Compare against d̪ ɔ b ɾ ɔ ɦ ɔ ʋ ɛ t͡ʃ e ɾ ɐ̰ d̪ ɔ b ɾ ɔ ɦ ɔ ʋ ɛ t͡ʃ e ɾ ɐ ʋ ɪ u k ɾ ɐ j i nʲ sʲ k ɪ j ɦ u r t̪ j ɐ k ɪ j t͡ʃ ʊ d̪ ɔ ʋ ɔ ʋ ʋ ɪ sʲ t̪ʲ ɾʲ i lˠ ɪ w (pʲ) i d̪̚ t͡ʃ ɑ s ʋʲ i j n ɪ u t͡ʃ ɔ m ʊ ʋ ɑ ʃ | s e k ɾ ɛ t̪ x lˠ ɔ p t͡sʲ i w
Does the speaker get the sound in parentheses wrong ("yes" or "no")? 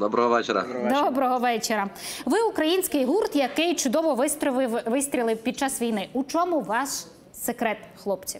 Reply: no